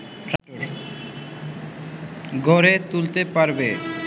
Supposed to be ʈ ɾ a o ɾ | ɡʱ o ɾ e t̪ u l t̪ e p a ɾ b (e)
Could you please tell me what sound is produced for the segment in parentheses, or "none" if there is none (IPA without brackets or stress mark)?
e